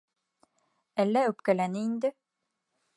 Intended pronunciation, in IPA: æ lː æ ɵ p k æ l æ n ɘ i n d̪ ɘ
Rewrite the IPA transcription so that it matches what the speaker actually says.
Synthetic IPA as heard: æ lː æ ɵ p k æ l æ n ɘ i n d̪ ɘ

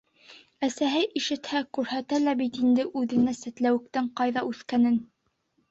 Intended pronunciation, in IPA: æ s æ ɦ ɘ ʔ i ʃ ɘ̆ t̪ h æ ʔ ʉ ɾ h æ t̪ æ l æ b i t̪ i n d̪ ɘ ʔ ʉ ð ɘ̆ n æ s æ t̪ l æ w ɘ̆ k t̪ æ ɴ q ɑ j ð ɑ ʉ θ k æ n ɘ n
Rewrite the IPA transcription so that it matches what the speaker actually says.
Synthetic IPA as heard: æ s æ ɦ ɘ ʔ i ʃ ɘ̆ t̪ h æ k ʉ ɾ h æ t̪ æ l æ b i t̪ i n d̪ ɘ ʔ ʉ ð ɘ̆ n æ s æ t̪ l æ w ɘ̆ k t̪ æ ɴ q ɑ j ð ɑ ʉ θ k æ n ɘ n

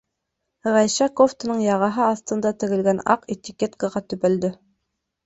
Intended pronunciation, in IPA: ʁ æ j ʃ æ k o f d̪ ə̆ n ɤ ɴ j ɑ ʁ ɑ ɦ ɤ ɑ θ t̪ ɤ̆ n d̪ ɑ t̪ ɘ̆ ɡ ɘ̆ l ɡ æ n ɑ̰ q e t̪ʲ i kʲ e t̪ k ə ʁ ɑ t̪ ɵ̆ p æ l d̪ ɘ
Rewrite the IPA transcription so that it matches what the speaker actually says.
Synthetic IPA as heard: ʁ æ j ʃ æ k o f t̪ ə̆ n ɤ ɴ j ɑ ʁ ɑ ɦ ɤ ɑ θ t̪ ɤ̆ n d̪ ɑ t̪ ɘ̆ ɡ ɘ̆ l ɡ æ n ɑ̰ q e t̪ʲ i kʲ e t̪ k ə ʁ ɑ t̪ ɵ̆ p æ l d̪ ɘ

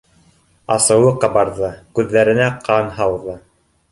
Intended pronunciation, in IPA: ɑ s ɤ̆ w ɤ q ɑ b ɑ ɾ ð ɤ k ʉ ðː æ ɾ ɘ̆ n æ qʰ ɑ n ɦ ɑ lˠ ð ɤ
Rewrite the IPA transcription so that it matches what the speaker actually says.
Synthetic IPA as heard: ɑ s ɤ̆ w ɤ q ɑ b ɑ ɾ ð ɤ k ʉ ðː æ ɾ ɘ̆ n æ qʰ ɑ n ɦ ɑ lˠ ð ɤ

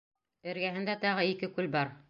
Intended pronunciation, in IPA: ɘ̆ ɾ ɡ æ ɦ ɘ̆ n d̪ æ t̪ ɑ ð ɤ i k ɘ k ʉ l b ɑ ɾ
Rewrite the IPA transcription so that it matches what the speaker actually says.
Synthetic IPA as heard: ɘ̆ ɾ ɡ æ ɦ ɘ̆ n d̪ æ t̪ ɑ ʁ ɤ i k ɘ k ʉ l b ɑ ɾ

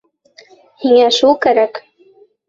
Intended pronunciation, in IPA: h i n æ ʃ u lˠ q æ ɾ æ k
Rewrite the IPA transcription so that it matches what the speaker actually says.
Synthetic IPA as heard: h i ŋ æ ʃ u lˠ k æ ɾ æ k

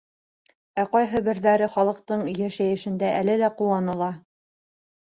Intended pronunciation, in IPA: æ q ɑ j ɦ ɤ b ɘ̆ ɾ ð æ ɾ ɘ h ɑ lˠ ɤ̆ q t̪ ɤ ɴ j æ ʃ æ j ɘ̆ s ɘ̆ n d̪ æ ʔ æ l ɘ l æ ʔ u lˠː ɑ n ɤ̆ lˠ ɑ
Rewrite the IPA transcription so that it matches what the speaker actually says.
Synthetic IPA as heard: æ q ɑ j ɦ ɤ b ɘ̆ ɾ ð æ ɾ ɘ χ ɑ lˠ ɤ̆ q t̪ ɤ ɴ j æ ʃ æ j ɘ̆ ʃ ɘ̆ n d̪ æ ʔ æ l ɘ l æ q u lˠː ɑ n ɤ̆ lˠ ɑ

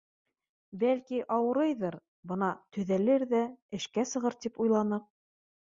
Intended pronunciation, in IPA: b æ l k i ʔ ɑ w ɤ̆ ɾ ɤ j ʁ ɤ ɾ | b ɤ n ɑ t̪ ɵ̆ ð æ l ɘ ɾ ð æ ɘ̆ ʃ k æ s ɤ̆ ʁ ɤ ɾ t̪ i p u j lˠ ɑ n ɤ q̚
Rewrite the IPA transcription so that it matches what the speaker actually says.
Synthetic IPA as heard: b æ l k i ʔ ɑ w ɤ̆ ɾ ɤ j ð ɤ ɾ | b ɤ n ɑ t̪ ɵ̆ ð æ l ɘ ɾ ð æ ɘ̆ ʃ k æ s ɤ̆ ʁ ɤ ɾ t̪ i p u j lˠ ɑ n ɤ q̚

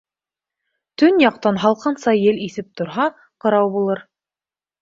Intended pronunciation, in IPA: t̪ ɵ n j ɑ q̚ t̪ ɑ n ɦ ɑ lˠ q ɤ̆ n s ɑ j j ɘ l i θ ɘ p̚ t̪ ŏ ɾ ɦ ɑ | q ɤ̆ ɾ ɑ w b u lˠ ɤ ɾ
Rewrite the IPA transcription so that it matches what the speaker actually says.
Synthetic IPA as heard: t̪ ɵ n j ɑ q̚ t̪ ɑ n ɦ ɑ lˠ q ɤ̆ n s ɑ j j ɘ l i θ ɘ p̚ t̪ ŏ ɾ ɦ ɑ | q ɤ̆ ɾ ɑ w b u lˠ ɤ ɾ

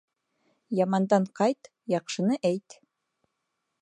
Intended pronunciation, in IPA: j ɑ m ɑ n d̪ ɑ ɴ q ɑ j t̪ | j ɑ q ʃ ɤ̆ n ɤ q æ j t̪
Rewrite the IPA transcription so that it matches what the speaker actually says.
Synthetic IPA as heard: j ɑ m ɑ n d̪ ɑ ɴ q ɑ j t̪ | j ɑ q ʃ ɤ̆ n ɤ ʔ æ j t̪

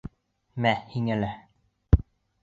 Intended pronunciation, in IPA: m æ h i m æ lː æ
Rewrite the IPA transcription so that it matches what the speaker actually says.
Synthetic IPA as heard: m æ h i ŋ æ l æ

